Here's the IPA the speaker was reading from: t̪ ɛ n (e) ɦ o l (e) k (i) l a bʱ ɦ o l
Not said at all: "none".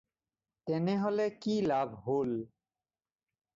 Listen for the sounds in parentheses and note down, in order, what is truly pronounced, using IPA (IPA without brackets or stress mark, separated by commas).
e, e, i